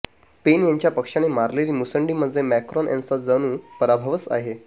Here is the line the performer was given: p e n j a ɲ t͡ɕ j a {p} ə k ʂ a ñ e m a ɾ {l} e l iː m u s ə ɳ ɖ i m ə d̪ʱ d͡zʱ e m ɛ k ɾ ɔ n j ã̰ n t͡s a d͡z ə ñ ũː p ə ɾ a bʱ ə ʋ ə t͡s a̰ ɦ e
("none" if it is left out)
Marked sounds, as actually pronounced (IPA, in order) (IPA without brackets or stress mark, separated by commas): p, l